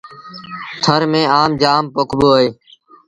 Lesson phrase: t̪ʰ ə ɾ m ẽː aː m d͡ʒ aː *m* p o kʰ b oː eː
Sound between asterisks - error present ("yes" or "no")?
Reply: no